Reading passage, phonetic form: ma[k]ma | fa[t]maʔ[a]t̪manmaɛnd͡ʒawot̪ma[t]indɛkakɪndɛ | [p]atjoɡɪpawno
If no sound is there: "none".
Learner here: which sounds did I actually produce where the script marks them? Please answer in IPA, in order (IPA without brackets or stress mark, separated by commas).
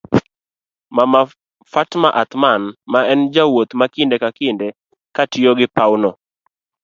none, t, a, k, k